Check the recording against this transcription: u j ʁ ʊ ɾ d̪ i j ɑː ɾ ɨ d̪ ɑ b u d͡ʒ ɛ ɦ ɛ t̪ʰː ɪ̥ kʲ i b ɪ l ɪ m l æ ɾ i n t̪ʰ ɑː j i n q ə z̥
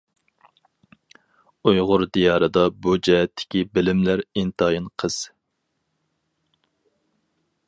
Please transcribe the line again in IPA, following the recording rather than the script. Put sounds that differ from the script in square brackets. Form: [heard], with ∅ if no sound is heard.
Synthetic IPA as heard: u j ʁ ʊ ɾ d̪ i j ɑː ɾ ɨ d̪ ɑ b u d͡ʒ ɛ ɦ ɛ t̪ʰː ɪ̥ kʲ i b ɪ l ɪ m l æ ɾ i n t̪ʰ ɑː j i n [qʰ] ə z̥

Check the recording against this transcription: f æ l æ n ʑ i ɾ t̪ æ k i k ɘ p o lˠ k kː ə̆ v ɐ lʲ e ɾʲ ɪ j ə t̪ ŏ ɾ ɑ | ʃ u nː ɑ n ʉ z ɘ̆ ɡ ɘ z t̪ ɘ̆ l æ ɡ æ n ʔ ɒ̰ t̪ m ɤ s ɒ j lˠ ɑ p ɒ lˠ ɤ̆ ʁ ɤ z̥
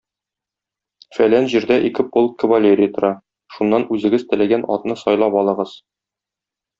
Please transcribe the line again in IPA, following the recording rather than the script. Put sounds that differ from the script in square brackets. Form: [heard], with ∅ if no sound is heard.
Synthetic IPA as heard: f æ l æ n ʑ i ɾ [d̪] æ [ʔ] i k ɘ p o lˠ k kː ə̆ v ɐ lʲ e ɾʲ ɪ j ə t̪ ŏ ɾ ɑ | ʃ u nː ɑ n ʉ z ɘ̆ ɡ ɘ z t̪ ɘ̆ l æ ɡ æ n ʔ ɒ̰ t̪ [n] ɤ s ɒ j lˠ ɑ p ɒ lˠ ɤ̆ ʁ ɤ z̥

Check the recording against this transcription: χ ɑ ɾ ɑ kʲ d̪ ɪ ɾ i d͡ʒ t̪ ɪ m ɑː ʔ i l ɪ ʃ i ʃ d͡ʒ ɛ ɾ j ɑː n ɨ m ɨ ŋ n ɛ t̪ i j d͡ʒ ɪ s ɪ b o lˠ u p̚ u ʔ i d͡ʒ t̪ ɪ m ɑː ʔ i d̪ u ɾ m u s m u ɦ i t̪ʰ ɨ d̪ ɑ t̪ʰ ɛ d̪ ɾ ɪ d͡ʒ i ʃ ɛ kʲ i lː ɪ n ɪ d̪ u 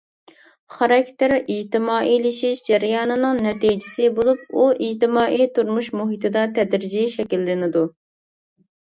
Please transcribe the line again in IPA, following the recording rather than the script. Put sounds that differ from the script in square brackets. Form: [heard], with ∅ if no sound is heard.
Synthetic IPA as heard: χ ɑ ɾ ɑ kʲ [t̪] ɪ ɾ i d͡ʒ t̪ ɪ m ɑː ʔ i l ɪ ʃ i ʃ d͡ʒ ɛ ɾ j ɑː n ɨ [n] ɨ ŋ n ɛ t̪ i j d͡ʒ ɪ s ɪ b o lˠ u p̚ u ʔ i d͡ʒ t̪ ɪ m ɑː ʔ i [t̪] u ɾ m u [ʃ] m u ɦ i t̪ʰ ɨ d̪ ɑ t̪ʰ ɛ d̪ ɾ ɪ d͡ʒ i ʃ ɛ kʲ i lː ɪ n ɪ d̪ u

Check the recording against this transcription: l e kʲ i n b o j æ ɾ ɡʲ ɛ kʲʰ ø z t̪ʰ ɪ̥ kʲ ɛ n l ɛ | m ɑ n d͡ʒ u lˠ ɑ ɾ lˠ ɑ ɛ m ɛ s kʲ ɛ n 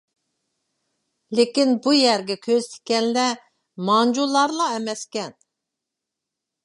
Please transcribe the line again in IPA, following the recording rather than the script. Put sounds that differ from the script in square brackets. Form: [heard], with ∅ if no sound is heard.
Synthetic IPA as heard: l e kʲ i n b [u] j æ ɾ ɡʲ ɛ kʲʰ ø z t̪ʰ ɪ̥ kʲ ɛ n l ɛ | m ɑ n d͡ʒ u lˠ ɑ ɾ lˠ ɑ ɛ m ɛ s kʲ ɛ n

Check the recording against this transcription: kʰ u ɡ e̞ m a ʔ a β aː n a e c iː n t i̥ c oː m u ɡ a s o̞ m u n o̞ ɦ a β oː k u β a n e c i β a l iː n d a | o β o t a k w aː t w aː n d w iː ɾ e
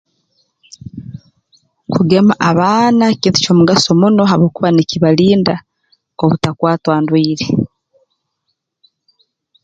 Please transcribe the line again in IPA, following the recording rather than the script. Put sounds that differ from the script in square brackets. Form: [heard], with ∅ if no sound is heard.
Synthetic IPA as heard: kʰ u ɡ e̞ m a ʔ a β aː n a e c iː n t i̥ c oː m u ɡ a s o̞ m u n o̞ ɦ a β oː k u β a n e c i β a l iː n d a | o β [u] t a k w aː t w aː n d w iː ɾ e

